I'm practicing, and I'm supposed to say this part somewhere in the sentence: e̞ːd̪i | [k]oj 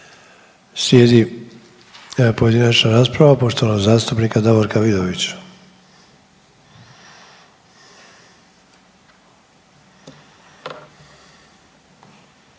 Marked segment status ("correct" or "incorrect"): incorrect